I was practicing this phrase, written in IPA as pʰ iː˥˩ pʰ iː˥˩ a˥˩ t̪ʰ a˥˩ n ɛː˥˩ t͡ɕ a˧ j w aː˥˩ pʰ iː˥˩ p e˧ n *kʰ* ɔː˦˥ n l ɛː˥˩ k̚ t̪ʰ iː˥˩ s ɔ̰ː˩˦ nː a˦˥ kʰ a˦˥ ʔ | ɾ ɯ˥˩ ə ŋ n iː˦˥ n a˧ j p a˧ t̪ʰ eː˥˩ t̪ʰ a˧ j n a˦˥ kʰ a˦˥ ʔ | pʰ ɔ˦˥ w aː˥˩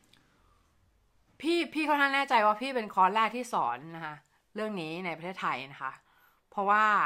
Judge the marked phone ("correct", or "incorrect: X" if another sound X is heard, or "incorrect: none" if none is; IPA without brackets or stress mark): correct